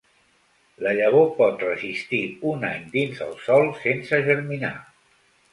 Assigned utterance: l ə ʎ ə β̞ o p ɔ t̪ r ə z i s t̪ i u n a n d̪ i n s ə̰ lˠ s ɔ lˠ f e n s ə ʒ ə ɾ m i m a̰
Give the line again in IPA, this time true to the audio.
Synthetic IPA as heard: l ə ʎ ə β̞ o p ɔ t̪ r ə z i s t̪ i u n a ɲ d̪ i n z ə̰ lˠ s ɔ lˠ s e n s ə ʒ ə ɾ m i n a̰

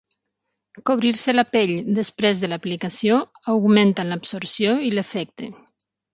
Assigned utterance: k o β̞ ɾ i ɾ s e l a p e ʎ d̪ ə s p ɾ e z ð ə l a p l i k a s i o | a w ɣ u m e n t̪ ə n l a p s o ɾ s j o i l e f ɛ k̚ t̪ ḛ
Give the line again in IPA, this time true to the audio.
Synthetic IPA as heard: k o β̞ ɾ i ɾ s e l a p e ʎ d̪ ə s p ɾ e z ð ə l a p l i k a s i o | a w ɣ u m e n t̪ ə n l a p s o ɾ s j o i l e f ɛ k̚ t̪ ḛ

